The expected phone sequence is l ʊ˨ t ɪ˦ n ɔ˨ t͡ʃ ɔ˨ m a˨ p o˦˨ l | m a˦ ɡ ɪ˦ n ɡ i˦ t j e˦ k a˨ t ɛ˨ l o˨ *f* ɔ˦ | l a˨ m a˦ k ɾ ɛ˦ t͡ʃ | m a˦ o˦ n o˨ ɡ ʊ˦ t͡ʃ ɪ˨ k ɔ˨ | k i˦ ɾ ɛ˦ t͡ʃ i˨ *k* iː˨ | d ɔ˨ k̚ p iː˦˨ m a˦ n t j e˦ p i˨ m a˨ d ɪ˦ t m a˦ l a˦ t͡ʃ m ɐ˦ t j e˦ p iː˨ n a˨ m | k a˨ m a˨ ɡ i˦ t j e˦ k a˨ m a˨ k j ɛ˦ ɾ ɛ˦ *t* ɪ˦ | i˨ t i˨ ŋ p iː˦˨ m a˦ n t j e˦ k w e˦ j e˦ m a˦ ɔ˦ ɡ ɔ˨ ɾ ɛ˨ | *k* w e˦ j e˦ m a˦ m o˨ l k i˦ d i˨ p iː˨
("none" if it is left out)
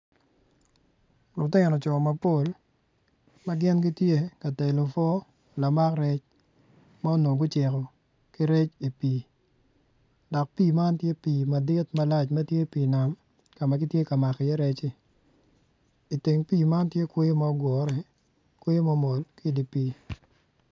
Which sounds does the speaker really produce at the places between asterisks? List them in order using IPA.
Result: f, p, t͡ʃ, k

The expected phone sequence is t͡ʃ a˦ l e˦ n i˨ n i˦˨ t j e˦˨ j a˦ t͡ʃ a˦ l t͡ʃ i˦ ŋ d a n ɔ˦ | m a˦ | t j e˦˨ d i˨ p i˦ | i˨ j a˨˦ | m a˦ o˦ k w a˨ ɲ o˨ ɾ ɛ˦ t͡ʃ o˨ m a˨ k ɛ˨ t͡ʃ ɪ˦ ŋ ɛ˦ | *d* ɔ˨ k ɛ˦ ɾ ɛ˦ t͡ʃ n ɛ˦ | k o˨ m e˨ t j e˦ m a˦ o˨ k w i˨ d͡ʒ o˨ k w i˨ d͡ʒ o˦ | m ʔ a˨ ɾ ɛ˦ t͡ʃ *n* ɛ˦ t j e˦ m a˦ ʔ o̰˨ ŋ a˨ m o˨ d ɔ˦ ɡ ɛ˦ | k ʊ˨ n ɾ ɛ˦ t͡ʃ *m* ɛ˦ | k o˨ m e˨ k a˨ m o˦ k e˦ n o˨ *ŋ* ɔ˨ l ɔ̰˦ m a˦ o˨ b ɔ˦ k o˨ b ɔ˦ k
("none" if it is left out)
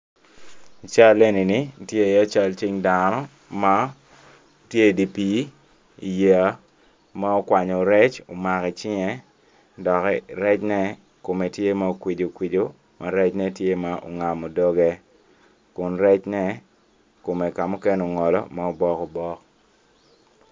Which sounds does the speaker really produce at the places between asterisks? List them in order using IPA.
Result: d, n, n, ŋ

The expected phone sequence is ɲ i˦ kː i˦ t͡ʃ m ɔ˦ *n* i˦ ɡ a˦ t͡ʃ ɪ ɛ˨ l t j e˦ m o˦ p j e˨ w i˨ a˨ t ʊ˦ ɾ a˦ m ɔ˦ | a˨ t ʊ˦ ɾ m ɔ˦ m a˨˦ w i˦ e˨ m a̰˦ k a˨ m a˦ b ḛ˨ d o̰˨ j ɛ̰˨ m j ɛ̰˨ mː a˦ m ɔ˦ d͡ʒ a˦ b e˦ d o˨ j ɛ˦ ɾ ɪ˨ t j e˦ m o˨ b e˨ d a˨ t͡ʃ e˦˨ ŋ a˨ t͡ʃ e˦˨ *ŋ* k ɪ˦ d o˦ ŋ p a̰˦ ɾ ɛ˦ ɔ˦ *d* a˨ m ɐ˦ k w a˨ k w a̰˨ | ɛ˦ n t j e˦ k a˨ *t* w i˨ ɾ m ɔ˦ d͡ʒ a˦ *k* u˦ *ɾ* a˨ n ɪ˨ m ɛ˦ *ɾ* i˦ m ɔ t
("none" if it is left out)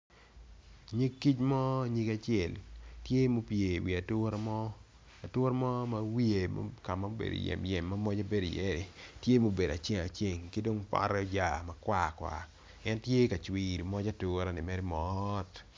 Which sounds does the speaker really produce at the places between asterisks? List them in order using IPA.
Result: ɲ, ŋ, d͡ʒ, t͡ʃ, t, ɾ, ɾ

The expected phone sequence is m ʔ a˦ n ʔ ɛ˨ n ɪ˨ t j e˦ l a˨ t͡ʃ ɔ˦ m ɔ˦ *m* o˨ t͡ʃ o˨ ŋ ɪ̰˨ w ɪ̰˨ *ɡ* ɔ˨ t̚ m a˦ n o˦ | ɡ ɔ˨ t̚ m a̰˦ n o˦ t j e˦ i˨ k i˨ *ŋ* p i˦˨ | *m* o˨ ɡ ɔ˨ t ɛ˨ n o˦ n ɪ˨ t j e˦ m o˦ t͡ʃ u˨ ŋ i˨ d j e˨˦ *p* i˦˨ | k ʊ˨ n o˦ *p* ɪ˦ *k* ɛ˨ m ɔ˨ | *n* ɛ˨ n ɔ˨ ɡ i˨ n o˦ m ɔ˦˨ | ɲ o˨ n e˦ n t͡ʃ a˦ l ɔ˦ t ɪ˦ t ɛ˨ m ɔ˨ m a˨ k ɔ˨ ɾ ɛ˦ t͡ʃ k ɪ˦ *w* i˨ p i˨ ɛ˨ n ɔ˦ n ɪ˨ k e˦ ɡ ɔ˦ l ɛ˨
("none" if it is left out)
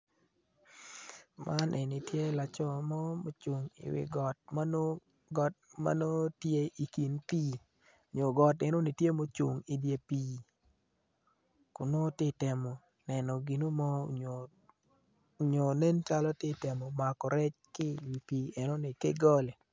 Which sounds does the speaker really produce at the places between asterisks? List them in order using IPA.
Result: m, ɡ, n, ɲ, p, t, t, n, w

